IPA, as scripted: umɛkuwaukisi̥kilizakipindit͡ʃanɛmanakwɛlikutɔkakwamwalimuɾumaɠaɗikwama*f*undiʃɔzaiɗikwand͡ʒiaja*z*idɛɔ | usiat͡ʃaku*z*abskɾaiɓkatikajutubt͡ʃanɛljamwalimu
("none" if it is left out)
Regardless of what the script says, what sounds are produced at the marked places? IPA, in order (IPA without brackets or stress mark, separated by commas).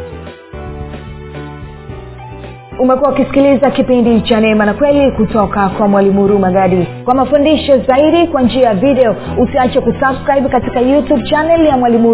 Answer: f, v, s